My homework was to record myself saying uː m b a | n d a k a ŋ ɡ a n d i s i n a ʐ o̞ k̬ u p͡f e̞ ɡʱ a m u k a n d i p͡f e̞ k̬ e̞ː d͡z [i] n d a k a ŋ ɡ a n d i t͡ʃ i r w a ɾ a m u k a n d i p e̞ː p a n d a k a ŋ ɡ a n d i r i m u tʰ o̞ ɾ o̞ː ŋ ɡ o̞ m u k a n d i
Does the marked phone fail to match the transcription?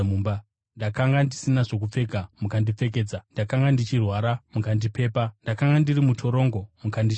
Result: yes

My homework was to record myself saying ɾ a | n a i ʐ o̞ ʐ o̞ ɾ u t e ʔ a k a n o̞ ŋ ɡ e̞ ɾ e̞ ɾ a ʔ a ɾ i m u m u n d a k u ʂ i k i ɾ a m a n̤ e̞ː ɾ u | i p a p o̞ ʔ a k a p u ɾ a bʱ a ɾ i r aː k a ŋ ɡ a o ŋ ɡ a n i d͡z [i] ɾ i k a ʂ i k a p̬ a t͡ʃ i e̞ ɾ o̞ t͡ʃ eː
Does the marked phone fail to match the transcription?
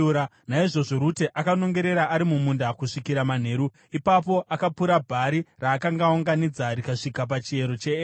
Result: yes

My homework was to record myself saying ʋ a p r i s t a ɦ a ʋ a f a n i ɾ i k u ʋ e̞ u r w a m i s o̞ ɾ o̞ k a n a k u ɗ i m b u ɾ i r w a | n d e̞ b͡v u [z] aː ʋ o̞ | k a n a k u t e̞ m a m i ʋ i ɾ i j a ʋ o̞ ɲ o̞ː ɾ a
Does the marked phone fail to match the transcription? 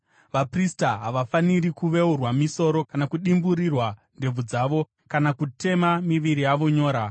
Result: yes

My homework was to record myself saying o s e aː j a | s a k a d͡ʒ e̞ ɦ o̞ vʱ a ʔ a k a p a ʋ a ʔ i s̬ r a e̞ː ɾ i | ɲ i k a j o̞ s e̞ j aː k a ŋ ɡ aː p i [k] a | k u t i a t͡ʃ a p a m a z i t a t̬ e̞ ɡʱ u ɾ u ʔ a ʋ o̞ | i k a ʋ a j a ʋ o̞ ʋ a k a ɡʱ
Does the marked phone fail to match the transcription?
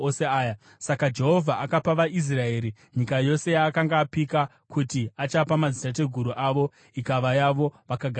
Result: no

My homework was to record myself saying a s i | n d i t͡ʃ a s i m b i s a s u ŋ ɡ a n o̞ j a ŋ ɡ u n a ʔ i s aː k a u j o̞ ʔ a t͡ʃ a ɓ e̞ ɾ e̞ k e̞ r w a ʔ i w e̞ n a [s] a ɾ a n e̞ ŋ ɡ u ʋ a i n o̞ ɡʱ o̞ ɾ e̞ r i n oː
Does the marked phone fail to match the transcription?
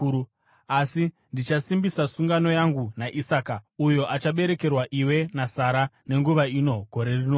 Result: no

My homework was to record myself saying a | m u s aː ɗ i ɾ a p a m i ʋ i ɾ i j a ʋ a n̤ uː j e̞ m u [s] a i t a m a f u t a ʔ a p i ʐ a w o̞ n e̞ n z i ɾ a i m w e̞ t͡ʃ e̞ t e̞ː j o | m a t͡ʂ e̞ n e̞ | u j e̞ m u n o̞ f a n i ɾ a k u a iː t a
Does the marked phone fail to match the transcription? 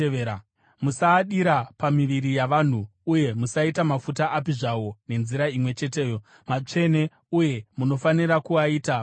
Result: no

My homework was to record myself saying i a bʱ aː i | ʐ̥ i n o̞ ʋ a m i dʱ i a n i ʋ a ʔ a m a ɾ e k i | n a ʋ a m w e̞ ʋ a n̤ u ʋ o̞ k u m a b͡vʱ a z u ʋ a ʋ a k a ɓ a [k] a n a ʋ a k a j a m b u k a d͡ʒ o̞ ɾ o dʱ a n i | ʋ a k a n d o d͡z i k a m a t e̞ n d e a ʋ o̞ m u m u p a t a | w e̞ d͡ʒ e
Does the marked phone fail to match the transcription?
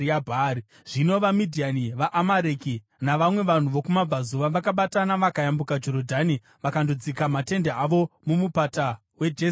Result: yes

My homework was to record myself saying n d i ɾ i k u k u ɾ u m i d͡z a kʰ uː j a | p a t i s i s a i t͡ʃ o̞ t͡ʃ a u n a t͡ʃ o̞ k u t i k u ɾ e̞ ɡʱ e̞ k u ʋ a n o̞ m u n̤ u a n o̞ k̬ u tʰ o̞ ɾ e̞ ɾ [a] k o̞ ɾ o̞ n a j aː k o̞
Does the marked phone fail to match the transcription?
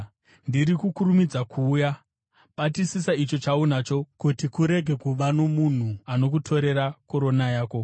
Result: no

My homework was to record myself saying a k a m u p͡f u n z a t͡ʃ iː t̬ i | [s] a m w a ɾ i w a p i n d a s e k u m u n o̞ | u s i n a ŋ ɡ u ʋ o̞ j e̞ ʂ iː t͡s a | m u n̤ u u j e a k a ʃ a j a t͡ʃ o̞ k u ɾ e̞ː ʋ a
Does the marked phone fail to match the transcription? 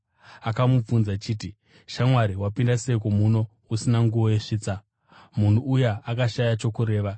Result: yes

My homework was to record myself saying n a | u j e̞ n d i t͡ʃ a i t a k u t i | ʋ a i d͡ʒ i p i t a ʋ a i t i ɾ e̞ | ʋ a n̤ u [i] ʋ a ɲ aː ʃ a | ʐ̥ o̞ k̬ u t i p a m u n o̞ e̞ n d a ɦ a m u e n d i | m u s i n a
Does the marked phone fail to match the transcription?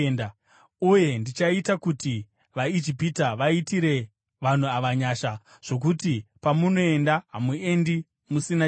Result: yes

